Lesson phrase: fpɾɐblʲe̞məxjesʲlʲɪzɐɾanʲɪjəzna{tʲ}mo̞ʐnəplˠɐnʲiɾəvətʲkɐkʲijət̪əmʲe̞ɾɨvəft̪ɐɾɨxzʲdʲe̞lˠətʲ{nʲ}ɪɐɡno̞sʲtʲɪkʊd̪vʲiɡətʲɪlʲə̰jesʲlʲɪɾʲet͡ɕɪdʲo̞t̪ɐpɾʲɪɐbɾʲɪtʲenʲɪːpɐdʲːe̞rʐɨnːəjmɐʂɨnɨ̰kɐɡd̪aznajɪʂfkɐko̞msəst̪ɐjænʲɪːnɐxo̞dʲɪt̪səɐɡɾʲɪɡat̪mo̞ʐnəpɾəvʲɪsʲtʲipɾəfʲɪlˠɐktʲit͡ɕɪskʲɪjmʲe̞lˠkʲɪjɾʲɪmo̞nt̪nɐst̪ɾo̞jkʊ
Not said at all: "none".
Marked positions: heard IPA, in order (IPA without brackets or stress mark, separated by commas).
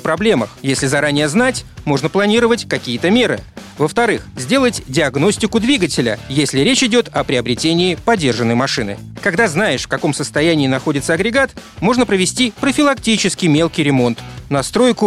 tʲ, dʲ